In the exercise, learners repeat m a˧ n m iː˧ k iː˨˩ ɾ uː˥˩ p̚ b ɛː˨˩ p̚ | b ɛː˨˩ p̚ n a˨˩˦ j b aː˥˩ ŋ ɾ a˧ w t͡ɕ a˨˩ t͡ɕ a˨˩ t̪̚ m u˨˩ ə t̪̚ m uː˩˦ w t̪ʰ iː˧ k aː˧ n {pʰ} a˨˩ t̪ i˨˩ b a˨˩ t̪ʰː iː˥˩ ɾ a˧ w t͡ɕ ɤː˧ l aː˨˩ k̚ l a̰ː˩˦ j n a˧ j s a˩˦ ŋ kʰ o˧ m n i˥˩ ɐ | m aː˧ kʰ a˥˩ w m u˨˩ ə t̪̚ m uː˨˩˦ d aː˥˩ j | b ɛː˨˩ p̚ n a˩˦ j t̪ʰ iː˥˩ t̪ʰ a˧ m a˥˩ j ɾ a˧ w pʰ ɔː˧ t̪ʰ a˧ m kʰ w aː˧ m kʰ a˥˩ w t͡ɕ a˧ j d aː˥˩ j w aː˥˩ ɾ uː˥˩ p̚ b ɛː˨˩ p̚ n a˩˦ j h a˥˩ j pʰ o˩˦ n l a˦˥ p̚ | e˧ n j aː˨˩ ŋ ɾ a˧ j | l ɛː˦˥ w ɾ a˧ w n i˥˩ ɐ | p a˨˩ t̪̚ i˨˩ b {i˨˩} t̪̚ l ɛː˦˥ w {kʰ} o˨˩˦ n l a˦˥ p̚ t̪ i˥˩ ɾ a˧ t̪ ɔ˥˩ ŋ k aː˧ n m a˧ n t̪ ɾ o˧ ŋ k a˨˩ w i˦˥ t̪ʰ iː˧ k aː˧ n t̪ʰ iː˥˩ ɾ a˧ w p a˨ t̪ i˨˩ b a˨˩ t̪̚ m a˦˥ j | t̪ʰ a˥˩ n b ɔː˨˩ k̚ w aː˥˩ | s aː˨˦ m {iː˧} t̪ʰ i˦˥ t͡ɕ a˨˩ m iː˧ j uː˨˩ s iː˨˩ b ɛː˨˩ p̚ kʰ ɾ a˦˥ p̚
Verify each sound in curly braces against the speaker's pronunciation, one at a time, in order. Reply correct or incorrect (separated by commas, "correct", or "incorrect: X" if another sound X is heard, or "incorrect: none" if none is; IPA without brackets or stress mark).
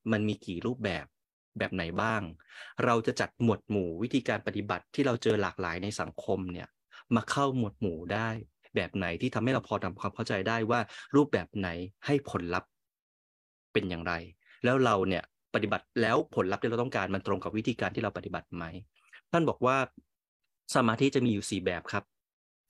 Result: incorrect: p, incorrect: a˨˩, incorrect: pʰ, incorrect: aː˧